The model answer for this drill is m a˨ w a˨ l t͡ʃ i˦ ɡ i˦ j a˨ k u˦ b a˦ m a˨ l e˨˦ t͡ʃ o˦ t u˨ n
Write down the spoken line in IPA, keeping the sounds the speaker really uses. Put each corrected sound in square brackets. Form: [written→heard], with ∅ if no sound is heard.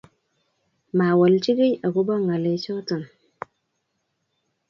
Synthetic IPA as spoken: m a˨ w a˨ l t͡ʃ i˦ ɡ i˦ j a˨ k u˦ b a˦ [m→ŋ] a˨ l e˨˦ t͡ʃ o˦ t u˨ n